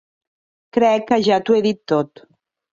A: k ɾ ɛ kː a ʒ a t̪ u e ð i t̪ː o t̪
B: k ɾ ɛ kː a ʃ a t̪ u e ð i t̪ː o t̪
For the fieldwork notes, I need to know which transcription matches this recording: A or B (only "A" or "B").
A